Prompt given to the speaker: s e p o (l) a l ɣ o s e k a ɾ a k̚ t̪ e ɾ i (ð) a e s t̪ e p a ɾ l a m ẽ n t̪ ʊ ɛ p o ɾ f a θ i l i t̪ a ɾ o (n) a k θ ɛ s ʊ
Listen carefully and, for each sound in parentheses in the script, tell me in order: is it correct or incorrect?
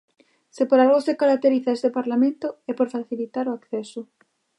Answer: incorrect, incorrect, incorrect

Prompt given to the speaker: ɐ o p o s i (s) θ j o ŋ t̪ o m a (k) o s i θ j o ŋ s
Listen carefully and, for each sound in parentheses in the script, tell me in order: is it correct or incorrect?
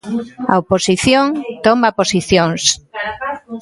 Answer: incorrect, incorrect

